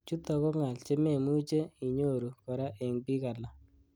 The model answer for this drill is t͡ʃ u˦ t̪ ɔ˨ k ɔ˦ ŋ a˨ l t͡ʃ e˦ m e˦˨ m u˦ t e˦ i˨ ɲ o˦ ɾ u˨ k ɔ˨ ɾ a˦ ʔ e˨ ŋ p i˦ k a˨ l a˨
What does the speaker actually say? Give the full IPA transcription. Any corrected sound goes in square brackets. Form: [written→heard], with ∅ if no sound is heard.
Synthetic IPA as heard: t͡ʃ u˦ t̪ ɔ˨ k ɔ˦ ŋ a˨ l t͡ʃ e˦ m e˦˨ m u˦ [t→t͡ʃ] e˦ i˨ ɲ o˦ ɾ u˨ k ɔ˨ ɾ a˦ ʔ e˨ ŋ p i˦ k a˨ l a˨